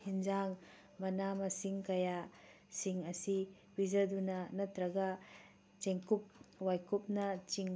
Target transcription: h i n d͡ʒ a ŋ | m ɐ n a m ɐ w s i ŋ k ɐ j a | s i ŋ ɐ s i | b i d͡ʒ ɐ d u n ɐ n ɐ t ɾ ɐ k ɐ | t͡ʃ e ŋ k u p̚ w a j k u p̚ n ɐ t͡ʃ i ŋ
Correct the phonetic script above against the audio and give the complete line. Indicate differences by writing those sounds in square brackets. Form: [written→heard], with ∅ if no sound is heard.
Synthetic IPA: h i n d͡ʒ a ŋ | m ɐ n a m ɐ [w→∅] s i ŋ k ɐ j a | s i ŋ ɐ s i | b i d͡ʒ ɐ d u n ɐ n ɐ t ɾ ɐ [k→ɡ] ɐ | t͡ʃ e ŋ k u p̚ w a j k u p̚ n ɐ t͡ʃ i ŋ